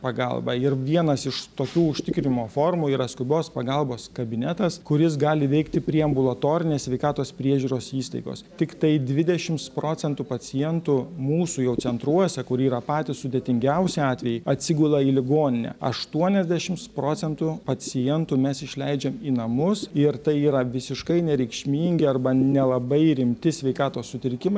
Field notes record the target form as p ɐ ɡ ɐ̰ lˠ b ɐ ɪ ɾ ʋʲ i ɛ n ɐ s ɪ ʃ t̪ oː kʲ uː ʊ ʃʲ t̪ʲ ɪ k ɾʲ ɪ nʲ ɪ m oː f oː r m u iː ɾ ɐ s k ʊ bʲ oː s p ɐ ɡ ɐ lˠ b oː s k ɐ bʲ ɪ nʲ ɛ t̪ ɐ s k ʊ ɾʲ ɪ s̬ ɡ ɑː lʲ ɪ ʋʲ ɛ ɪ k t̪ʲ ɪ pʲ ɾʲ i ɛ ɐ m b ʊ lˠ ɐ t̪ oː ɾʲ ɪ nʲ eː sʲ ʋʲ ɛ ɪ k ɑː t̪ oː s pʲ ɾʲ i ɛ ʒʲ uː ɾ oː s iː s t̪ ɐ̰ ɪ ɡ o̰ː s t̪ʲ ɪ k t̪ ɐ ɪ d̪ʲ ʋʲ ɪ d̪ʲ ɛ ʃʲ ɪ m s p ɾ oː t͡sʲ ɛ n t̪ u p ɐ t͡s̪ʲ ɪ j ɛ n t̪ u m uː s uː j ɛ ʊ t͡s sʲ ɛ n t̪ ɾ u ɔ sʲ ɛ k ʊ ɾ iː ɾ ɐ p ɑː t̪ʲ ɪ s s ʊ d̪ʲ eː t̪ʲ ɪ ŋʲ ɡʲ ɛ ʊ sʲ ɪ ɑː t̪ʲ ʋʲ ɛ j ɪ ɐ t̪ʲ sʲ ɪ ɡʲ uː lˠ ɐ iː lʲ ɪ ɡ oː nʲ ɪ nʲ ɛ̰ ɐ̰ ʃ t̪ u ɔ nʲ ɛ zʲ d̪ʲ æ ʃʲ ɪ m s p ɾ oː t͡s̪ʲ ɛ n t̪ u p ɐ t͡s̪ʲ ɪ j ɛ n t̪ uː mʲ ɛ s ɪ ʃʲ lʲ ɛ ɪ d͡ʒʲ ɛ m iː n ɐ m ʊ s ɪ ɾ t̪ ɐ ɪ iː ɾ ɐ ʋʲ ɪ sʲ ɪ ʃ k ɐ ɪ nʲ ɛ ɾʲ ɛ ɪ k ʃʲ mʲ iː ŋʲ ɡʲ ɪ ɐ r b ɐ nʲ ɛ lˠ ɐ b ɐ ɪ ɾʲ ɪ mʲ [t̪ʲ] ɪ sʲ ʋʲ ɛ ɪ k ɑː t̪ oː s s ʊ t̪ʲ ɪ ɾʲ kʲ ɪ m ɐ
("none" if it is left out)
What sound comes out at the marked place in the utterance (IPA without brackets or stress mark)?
t̪ʲ